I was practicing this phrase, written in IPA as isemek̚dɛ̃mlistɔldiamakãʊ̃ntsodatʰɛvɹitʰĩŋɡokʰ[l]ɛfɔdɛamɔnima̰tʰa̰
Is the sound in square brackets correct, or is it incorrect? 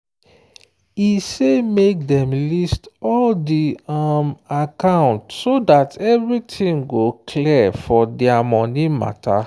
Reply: correct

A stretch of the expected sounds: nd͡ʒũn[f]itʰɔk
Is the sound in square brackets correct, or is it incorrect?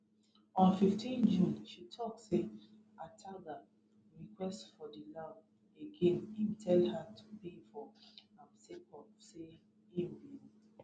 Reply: incorrect: ʃ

